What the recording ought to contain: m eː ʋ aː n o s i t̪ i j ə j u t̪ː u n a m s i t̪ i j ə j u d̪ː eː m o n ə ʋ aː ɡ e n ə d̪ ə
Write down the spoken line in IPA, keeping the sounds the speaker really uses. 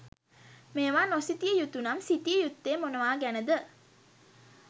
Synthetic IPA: m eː ʋ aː n o s i t̪ i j ə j u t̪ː u n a m s i t̪ i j ə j u t̪ː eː m o n ə ʋ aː ɡ æ n ə d̪ ə